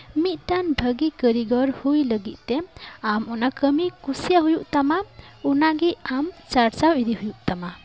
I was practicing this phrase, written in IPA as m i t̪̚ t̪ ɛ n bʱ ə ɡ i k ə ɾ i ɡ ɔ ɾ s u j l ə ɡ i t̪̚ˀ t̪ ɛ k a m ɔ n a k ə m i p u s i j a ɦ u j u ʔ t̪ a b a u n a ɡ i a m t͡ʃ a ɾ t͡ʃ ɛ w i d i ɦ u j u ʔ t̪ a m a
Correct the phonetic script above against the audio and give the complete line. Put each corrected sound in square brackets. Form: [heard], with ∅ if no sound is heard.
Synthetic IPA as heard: m i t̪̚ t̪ [a] n bʱ ə ɡ i k ə ɾ i ɡ ɔ ɾ [h] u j l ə ɡ i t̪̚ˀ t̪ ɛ [∅] a m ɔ n a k ə m i [k] u s i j a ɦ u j u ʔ t̪ a [m] a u n a ɡ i a m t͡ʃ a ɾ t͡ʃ [a] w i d i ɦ u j u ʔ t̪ a m a

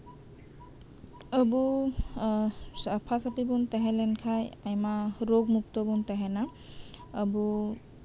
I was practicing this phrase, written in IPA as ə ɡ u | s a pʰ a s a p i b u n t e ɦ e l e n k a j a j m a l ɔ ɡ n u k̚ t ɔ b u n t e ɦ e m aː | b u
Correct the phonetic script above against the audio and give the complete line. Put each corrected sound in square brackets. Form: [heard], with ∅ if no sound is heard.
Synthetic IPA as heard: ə [b] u | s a pʰ a s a p i b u n t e ɦ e l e n [kʰ] a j a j m a [ɾ] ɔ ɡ [m] u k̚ t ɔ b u n t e ɦ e [n] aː | b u

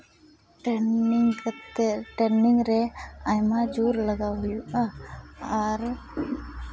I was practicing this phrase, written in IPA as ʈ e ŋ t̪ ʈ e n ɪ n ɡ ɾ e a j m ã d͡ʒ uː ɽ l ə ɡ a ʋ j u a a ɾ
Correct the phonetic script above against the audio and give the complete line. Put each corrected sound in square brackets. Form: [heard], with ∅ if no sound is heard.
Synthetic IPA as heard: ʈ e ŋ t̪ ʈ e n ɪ [ŋ] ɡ ɾ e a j m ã d͡ʒ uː [ɾ] l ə ɡ a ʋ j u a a ɾ

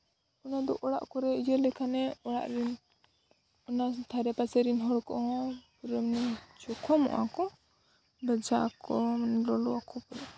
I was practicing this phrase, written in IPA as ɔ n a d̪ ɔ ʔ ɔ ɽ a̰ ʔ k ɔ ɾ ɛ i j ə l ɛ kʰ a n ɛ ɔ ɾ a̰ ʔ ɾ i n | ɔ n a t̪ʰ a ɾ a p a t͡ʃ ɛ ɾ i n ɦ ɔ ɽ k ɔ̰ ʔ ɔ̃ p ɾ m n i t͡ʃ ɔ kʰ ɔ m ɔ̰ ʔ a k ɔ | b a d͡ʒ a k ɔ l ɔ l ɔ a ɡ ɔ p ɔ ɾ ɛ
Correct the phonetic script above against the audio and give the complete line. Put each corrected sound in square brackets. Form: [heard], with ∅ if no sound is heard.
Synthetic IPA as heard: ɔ n a d̪ ɔ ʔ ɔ ɽ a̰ ʔ k ɔ ɾ ɛ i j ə l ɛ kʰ a n ɛ ɔ [ɽ] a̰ ʔ ɾ i n | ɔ n a t̪ʰ a ɾ [ɛ] p a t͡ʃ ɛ ɾ i n ɦ ɔ ɽ k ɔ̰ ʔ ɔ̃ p ɾ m n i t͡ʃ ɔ kʰ ɔ m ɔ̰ ʔ a k ɔ | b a d͡ʒ a k ɔ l ɔ l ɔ a [k] ɔ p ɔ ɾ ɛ

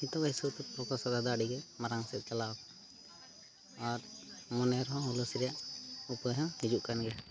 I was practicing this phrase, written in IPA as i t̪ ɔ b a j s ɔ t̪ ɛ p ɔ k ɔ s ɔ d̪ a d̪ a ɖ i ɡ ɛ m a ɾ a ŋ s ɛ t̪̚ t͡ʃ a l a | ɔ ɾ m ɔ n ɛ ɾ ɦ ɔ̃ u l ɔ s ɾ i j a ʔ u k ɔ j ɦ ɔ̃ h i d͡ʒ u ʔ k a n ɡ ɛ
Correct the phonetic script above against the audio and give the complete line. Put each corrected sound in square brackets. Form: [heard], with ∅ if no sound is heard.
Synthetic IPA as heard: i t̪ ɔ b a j s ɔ t̪ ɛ p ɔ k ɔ s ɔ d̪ a d̪ a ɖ i ɡ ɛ m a ɾ a ŋ s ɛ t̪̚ t͡ʃ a l a | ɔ ɾ m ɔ n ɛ ɾ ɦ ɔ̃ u l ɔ s ɾ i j a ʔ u [p] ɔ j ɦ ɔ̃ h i d͡ʒ u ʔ k a n ɡ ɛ

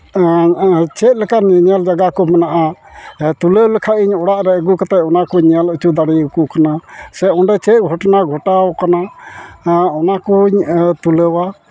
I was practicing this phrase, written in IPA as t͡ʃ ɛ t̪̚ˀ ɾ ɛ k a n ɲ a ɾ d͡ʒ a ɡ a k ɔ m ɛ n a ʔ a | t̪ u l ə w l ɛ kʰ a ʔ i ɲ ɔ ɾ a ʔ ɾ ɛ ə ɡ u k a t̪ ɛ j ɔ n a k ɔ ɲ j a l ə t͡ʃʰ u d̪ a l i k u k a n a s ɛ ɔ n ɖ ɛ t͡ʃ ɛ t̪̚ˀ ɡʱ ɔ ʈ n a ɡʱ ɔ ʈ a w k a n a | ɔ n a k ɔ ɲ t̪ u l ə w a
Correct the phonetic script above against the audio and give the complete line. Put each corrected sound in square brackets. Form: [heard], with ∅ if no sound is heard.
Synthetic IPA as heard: t͡ʃ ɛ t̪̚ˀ [l] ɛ k a n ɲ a [l] d͡ʒ a ɡ a k ɔ m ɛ n a ʔ a | t̪ u l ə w l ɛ kʰ a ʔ i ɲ ɔ [ɽ] a ʔ ɾ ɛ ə ɡ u k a t̪ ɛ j ɔ n a k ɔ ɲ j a l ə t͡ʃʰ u d̪ a [ɽ] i k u k a n a s ɛ ɔ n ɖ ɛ t͡ʃ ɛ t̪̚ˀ ɡʱ ɔ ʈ n a ɡʱ ɔ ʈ a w k a n a | ɔ n a k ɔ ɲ t̪ u l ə w a

